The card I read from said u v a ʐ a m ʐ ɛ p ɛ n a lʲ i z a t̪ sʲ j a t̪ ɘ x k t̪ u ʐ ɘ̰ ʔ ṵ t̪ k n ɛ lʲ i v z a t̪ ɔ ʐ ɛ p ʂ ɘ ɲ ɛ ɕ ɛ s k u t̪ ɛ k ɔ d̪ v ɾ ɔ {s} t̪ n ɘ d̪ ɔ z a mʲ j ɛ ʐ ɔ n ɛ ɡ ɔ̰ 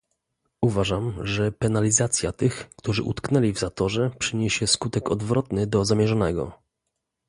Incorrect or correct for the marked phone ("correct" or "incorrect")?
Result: incorrect